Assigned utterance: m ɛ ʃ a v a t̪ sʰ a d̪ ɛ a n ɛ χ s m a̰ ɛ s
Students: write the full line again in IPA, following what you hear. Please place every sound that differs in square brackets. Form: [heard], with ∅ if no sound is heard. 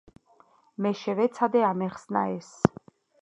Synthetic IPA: m ɛ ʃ [ɛ] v [ɛ] t̪ sʰ a d̪ ɛ a [m] ɛ χ s [n] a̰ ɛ s